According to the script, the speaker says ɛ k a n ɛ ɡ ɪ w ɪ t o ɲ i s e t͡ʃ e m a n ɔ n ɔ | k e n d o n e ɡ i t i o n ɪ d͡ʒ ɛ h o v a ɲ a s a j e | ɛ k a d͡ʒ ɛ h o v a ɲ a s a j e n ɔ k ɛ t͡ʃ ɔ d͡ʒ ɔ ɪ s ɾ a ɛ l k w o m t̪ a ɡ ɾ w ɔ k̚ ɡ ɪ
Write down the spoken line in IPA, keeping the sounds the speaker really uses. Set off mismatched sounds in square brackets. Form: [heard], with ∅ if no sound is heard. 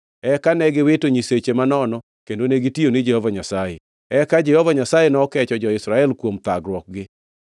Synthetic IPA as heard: ɛ k a n ɛ ɡ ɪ w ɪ t o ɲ i s e t͡ʃ e m a n ɔ n ɔ | k e n d o n e ɡ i t i o n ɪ d͡ʒ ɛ h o v a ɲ a s a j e | ɛ k a d͡ʒ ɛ h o v a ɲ a s a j e n ɔ k ɛ t͡ʃ ɔ d͡ʒ ɔ ɪ s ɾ a ɛ l k w o m t̪ a ɡ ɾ w ɔ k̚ ɡ ɪ